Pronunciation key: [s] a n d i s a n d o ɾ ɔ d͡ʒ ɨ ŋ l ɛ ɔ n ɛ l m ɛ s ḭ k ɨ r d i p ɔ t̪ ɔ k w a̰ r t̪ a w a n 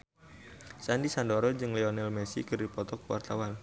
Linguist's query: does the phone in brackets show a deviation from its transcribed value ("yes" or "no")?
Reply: no